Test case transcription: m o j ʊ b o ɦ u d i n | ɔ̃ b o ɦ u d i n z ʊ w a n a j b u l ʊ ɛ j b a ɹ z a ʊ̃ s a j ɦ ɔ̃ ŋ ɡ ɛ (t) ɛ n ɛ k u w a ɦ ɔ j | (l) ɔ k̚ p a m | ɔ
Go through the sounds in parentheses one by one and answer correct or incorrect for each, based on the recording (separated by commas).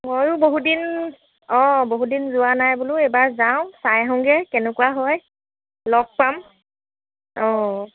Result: incorrect, correct